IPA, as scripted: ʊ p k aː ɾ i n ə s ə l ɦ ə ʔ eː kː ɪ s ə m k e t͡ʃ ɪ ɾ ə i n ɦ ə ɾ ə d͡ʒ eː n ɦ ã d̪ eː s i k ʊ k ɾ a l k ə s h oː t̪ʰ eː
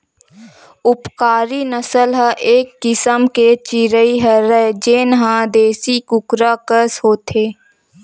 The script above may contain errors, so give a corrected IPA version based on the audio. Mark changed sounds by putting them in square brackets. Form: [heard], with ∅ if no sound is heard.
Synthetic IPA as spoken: ʊ p k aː ɾ i n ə s ə l ɦ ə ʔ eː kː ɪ s ə m k e t͡ʃ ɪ ɾ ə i [∅] ɦ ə ɾ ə d͡ʒ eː n ɦ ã d̪ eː s i k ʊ k ɾ a [∅] k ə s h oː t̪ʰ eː